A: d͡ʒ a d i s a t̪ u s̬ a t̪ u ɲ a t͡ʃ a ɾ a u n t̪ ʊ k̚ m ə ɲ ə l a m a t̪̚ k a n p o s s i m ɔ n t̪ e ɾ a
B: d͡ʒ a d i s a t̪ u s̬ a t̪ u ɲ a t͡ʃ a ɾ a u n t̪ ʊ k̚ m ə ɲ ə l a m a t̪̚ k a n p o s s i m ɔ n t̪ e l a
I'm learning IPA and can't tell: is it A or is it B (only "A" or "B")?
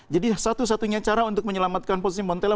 B